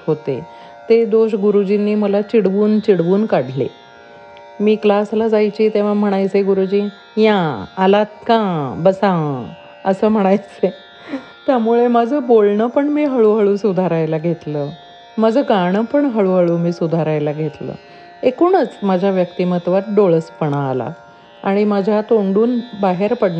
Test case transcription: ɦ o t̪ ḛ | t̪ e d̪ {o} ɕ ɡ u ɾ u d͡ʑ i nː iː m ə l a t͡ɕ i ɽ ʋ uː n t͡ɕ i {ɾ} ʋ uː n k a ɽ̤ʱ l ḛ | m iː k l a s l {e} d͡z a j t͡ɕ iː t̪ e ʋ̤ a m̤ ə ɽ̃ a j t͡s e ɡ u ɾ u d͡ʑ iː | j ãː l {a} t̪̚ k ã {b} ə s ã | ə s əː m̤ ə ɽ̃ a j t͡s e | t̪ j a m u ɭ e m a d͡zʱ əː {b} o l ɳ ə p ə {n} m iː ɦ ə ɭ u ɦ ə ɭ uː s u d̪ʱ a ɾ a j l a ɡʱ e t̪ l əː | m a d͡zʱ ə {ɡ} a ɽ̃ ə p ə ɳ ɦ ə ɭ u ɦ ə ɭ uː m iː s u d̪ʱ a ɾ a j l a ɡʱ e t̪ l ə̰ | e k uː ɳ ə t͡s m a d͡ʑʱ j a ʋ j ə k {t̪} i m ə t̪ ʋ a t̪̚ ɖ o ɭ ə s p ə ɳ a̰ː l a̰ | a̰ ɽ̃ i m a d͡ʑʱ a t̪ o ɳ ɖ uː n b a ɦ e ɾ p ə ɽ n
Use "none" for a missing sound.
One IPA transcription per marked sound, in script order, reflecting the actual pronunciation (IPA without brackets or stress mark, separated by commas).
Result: o, ɽ, a, a, b, b, ɳ, ɡ, t̪